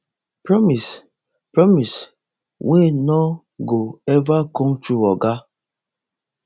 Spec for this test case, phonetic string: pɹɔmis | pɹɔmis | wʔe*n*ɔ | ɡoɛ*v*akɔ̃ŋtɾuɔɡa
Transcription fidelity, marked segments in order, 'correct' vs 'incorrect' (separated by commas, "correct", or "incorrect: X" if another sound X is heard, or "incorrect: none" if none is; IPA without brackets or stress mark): correct, correct